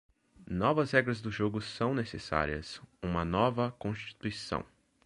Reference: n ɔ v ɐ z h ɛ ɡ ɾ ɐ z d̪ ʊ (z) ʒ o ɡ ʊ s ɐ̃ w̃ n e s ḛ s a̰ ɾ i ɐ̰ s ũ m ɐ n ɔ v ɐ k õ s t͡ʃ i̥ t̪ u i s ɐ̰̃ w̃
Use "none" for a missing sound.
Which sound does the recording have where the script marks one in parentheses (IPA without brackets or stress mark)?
none